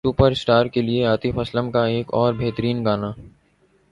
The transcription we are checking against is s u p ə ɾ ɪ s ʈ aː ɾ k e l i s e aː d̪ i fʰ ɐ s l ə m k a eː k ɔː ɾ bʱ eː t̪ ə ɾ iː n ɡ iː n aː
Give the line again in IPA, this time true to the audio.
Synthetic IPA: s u p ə ɾ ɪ s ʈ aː ɾ k e l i e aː t̪ i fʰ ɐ s l ə m k a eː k ɔː ɾ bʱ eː t̪ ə ɾ iː n ɡ aː n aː